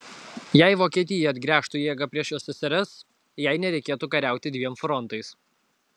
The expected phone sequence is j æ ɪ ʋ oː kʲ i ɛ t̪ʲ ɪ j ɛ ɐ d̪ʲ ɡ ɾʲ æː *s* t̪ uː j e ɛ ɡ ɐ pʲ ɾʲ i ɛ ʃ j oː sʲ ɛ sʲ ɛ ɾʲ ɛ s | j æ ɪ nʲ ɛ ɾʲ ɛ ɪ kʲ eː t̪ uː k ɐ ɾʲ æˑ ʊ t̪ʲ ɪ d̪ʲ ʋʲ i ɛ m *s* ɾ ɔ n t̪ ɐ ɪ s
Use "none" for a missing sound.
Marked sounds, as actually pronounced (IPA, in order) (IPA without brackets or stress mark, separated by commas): ʃ, f